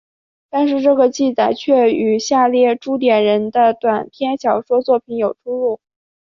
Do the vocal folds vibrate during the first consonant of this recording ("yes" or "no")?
no